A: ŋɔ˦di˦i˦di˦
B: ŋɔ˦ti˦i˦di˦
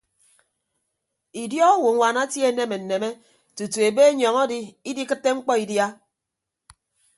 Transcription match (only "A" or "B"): A